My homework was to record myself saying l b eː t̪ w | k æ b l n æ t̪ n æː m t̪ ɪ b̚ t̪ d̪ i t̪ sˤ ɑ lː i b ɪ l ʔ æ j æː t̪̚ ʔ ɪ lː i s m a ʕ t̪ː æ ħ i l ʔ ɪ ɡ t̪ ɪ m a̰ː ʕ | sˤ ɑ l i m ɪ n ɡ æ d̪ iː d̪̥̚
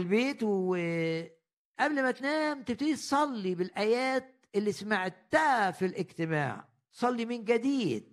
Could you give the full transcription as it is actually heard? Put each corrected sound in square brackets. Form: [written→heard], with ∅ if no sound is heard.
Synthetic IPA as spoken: l b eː t̪ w | [k→ʔ] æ b l [n→m] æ t̪ n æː m t̪ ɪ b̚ t̪ d̪ i t̪ sˤ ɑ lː i b ɪ l ʔ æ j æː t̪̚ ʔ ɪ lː i s m a ʕ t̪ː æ [ħ→f] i l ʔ ɪ ɡ t̪ ɪ m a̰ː ʕ | sˤ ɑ [l→lː] i m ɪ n ɡ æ d̪ iː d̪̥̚